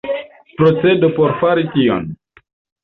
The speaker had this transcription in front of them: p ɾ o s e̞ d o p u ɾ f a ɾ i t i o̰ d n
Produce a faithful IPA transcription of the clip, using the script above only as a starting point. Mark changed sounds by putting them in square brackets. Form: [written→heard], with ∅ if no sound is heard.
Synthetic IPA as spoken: p ɾ o [s→t͡s] e̞ d o p [u→o] ɾ f a ɾ i t i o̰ [d→∅] n